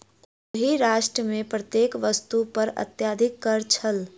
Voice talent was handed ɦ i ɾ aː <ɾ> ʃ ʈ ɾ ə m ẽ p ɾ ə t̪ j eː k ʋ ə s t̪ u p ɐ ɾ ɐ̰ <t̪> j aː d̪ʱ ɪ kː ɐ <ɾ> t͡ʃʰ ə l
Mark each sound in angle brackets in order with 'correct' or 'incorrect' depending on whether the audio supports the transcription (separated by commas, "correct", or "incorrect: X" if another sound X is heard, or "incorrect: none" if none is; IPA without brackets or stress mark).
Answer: incorrect: none, correct, correct